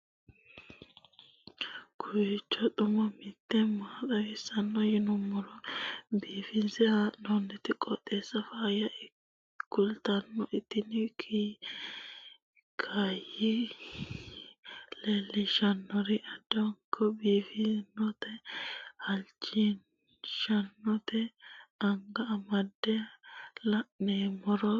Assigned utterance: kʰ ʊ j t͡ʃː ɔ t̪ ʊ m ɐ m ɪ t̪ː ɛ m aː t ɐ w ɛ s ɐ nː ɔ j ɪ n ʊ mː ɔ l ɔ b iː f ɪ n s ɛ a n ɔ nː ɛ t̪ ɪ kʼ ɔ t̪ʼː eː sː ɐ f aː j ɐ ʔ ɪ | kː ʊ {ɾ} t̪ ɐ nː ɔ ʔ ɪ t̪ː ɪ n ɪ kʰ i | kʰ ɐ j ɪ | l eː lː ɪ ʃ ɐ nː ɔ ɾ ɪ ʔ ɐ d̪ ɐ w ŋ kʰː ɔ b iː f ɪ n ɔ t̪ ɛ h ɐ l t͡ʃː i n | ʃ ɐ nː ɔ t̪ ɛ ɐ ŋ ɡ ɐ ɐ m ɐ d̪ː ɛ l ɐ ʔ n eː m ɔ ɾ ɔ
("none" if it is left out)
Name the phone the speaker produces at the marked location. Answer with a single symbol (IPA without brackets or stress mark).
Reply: l